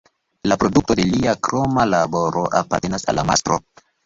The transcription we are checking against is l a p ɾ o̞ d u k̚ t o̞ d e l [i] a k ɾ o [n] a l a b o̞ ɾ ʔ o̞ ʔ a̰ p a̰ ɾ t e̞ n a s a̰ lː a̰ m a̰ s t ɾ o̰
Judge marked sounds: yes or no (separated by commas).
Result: yes, no